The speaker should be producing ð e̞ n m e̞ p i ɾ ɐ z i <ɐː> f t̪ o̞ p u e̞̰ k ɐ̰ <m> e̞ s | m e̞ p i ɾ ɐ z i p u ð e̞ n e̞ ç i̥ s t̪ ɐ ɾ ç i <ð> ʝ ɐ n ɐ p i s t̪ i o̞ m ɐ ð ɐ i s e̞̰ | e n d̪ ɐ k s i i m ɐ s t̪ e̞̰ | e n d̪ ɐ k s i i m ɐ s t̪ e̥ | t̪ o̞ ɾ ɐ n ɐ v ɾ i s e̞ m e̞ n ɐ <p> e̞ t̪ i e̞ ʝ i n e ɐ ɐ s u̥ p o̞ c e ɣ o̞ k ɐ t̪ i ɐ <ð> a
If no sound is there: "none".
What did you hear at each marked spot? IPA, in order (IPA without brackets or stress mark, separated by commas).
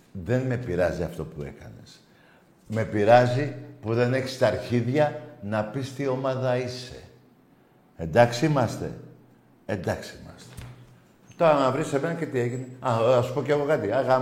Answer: ɐ, n, ð, c, ɣ